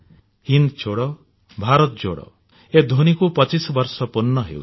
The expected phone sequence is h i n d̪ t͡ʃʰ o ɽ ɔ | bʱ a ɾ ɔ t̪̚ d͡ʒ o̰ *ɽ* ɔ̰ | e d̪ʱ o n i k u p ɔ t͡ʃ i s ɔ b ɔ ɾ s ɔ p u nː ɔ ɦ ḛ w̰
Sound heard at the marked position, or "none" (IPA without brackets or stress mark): ɽ